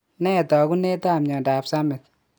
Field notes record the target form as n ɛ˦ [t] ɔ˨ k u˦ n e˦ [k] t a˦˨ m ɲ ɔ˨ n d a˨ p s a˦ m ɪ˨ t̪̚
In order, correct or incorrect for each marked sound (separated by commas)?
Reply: correct, incorrect